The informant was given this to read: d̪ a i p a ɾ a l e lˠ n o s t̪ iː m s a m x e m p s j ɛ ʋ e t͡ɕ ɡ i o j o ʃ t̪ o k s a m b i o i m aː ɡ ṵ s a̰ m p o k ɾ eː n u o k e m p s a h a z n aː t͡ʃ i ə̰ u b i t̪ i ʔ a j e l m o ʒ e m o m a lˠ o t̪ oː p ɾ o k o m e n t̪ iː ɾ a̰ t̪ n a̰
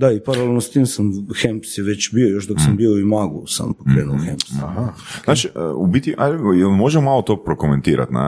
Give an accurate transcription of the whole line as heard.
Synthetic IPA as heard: d̪ a i p a ɾ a l e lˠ n o s t̪ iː m s a m x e m p s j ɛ ʋ e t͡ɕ b i o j o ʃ d̪ o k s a m b i o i m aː ɡ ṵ s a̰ m p o k ɾ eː n u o x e m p s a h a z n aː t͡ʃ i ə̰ u b i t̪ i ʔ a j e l m o ʒ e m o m a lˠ o t̪ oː p ɾ o k o m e n t̪ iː ɾ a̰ t̪ n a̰